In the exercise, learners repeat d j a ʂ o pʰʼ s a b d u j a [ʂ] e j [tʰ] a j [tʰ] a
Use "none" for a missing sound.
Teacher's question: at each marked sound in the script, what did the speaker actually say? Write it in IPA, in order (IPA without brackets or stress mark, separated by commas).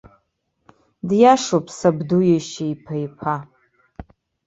ʃ, pʰ, pʰ